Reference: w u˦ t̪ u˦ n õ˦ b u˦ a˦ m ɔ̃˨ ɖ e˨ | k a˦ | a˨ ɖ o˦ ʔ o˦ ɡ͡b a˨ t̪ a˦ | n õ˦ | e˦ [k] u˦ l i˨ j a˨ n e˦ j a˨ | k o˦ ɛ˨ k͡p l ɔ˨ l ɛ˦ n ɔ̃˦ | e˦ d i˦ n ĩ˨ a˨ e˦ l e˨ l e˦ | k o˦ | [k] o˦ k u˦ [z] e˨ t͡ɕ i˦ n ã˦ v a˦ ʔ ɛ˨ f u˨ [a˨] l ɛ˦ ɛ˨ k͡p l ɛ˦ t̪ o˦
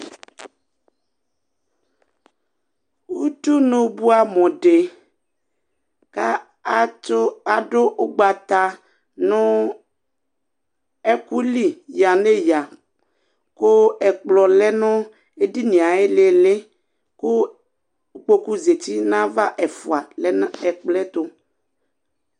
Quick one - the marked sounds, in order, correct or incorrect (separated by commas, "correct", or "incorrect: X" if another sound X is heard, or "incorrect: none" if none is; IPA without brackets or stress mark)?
correct, incorrect: k͡p, correct, correct